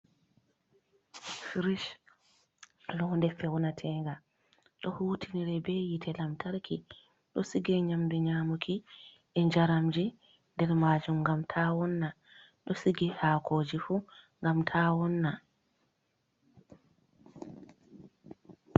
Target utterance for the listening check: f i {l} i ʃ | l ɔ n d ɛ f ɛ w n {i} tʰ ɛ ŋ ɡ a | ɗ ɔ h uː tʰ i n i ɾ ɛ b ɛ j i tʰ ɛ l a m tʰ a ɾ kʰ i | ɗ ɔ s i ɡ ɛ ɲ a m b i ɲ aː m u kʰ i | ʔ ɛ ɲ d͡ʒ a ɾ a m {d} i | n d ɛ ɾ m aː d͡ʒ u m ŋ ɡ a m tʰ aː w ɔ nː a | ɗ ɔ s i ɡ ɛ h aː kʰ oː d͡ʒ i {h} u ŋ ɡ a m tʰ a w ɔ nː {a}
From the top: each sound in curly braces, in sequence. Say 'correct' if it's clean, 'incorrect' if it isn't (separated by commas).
incorrect, incorrect, incorrect, incorrect, correct